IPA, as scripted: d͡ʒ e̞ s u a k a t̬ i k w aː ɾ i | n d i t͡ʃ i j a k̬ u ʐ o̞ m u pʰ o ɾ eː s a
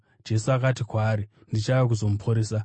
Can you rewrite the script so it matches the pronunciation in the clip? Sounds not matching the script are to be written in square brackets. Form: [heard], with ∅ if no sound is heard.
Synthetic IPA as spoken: d͡ʒ e̞ s u a k a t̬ i k w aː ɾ i | n d i t͡ʃ [a] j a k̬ u [z] o̞ m u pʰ o ɾ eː s a